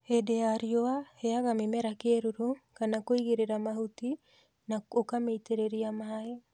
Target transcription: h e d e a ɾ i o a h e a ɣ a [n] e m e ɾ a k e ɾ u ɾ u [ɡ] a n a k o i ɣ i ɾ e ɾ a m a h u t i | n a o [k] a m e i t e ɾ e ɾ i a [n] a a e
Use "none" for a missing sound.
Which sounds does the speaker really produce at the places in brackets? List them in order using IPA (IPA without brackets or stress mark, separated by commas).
m, k, k, m